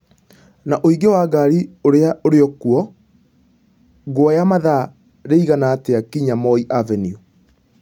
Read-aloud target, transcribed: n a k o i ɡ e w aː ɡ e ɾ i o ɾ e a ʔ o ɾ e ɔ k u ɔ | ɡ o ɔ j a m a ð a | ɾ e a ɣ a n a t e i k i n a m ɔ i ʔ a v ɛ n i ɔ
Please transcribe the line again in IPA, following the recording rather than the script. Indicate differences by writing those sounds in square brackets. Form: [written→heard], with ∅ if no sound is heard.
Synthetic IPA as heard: n a [k→ʔ] o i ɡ e w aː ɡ [e→a] ɾ i o ɾ e a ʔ o ɾ e ɔ k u ɔ | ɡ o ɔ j a m a ð a | ɾ e [a→i] ɣ a n a t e [i→a] k i [n→ɲ] a m ɔ i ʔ a v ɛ n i [ɔ→u]